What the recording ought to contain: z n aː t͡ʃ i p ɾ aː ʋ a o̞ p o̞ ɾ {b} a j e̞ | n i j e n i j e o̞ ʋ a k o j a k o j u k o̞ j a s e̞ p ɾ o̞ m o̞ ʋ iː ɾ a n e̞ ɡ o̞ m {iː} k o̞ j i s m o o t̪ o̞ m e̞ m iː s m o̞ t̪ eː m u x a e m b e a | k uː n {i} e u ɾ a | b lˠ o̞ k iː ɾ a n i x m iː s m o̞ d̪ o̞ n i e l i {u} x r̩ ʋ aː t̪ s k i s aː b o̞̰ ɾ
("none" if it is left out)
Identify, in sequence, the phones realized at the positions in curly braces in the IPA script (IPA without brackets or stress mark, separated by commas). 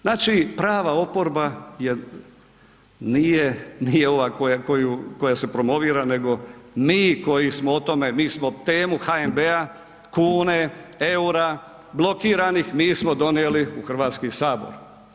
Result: b, iː, e, u